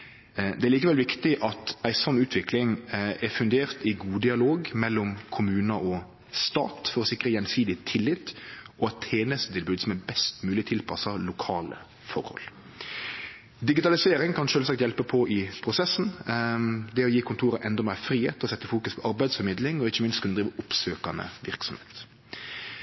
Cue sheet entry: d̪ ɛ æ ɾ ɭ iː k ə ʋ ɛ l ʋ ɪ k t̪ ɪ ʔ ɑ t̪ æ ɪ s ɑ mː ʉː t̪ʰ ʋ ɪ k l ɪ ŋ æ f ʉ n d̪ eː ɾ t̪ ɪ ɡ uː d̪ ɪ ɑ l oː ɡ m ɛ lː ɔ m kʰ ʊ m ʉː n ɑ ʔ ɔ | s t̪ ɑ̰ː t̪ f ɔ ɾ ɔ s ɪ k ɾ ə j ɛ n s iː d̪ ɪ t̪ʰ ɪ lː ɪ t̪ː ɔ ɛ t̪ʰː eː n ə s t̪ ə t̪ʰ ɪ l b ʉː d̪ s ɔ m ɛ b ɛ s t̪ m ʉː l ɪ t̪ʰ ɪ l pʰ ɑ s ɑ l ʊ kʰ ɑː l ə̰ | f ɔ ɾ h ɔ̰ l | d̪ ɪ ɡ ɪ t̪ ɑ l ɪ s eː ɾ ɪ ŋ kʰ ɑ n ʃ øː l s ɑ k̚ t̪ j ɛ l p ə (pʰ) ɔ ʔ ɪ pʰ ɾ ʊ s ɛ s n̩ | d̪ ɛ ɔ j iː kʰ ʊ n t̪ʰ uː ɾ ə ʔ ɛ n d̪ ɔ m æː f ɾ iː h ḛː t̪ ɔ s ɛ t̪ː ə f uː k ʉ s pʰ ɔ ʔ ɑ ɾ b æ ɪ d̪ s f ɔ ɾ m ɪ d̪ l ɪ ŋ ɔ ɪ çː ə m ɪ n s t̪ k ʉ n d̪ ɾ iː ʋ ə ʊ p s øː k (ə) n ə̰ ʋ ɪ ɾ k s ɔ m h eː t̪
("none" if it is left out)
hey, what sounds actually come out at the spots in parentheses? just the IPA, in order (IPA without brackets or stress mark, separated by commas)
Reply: pʰ, ɑ